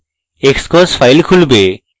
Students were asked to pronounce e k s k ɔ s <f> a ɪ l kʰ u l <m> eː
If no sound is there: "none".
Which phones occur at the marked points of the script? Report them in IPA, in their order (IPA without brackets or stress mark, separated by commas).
f, b